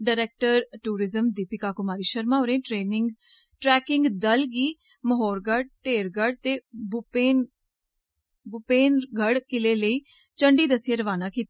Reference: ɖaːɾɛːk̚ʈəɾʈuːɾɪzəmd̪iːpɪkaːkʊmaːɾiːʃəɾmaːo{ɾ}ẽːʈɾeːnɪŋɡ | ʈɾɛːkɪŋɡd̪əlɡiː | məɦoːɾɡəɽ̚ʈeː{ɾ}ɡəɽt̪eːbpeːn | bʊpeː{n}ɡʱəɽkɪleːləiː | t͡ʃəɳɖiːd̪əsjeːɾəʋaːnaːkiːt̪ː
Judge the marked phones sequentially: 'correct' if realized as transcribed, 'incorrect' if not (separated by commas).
correct, correct, correct